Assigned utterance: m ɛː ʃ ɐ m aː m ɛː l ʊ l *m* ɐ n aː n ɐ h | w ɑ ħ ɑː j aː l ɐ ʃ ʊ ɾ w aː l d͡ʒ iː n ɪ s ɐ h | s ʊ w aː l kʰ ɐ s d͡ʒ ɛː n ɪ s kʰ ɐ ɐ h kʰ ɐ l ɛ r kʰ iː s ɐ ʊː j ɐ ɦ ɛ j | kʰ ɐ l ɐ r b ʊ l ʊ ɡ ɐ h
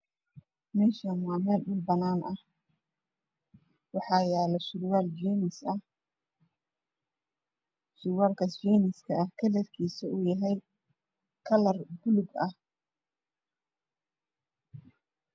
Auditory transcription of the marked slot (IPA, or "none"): b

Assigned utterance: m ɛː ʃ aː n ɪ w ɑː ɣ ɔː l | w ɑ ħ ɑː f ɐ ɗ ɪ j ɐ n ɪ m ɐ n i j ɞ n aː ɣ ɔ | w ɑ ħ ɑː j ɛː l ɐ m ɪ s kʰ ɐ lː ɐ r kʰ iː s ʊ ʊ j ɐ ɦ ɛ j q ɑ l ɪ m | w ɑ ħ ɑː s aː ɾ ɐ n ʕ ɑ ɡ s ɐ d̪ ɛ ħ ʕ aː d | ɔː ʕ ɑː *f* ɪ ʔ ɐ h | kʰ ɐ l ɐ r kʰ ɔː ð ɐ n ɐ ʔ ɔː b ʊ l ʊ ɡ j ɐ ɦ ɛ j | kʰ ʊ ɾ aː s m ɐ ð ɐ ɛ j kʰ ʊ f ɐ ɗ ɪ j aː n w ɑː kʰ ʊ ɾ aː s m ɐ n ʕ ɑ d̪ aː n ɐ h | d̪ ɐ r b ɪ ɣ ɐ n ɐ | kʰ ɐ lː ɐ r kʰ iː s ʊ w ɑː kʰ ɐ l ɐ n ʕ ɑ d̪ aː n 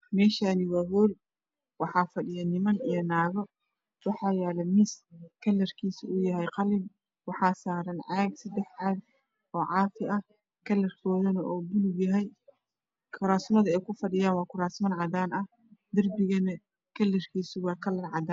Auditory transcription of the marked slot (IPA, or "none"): f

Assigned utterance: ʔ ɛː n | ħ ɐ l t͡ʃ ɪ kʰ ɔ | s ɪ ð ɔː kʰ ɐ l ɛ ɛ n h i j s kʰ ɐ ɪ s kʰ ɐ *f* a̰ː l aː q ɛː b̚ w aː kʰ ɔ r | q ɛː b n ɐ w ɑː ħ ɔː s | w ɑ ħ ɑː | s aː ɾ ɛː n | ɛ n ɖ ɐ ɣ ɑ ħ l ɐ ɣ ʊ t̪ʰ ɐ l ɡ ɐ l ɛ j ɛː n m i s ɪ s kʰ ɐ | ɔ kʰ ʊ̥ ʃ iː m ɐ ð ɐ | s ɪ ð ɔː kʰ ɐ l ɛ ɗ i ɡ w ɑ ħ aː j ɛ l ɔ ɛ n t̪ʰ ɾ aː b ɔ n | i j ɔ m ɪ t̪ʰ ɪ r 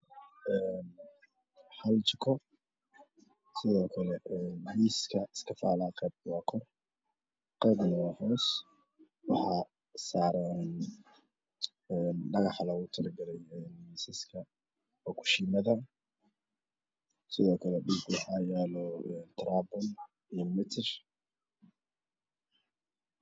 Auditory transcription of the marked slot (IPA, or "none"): f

